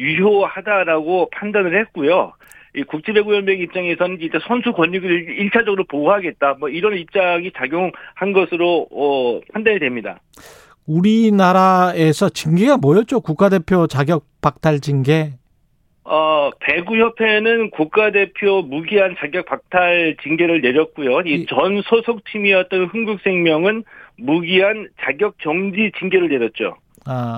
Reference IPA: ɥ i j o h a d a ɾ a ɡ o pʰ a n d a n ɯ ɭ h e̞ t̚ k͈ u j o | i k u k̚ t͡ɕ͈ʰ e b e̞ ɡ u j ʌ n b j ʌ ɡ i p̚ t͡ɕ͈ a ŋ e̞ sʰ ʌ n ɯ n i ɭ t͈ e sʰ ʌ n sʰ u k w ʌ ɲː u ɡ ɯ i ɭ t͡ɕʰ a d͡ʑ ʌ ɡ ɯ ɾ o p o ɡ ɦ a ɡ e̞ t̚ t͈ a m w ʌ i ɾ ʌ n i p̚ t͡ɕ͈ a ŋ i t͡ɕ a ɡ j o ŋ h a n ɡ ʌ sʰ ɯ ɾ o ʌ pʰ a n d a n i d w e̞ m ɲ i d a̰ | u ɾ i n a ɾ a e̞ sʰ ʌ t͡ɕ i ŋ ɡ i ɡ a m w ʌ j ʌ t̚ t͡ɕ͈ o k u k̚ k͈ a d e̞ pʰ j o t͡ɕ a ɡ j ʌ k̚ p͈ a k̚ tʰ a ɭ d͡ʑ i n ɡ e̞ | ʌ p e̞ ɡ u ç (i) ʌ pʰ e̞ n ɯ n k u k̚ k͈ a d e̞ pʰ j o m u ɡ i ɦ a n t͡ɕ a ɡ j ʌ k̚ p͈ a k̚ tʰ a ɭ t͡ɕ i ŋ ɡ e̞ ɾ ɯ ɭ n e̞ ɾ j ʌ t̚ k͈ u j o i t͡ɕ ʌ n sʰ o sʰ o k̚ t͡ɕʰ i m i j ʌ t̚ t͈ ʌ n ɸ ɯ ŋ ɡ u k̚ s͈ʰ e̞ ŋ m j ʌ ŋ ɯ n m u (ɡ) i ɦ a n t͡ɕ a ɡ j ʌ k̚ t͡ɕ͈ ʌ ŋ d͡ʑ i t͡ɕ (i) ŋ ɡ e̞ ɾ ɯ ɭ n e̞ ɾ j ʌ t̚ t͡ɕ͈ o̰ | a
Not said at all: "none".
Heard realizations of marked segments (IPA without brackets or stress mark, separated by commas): j, ɡ, i